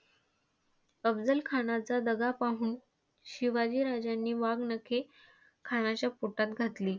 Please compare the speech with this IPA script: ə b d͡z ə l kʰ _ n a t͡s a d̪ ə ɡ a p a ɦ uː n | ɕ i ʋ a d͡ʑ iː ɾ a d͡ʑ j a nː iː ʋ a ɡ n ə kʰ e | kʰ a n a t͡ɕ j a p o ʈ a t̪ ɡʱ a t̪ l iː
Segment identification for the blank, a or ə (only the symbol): a